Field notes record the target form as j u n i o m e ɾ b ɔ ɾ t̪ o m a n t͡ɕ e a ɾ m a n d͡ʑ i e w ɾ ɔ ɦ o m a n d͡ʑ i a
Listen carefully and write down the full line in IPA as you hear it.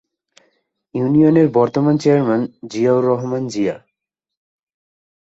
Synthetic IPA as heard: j u n i o n e ɾ b ɔ ɾ t̪ o m a n t͡ɕ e a ɾ m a n d͡ʑ i a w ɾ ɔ ɦ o m a n d͡ʑ i a